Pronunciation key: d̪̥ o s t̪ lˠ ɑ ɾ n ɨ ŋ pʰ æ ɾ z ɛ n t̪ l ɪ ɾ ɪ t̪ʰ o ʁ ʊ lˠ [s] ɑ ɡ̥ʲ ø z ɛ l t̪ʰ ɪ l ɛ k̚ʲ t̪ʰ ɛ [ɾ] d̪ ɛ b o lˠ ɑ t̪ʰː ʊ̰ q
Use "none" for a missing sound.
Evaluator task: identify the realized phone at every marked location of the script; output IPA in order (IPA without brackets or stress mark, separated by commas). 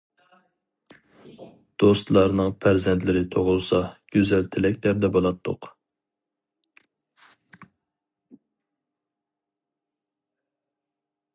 s, ɾ